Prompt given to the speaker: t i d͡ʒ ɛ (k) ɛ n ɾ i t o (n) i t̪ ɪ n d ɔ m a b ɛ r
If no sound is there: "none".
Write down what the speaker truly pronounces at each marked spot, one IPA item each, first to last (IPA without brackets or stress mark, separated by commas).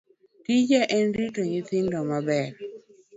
ʔ, ɲ